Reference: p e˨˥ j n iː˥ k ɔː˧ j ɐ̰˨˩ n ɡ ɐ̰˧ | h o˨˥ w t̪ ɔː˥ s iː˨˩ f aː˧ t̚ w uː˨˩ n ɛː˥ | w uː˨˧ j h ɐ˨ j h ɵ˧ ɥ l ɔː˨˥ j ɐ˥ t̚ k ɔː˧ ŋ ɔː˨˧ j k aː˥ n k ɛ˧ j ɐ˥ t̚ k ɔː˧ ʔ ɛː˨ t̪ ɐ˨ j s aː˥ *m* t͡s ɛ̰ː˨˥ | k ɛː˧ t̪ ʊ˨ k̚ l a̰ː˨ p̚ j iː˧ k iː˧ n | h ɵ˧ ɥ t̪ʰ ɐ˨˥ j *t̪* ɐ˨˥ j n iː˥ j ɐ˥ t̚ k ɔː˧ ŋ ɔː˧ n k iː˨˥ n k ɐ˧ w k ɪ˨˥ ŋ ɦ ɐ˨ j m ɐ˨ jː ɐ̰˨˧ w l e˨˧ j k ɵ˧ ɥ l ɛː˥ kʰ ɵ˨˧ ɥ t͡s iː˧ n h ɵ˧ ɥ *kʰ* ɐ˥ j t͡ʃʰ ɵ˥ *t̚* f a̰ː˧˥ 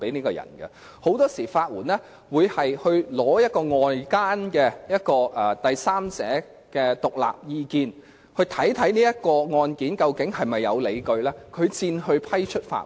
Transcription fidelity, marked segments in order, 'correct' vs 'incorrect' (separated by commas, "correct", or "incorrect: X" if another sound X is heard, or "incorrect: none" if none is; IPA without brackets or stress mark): correct, incorrect: t̪ʰ, incorrect: pʰ, correct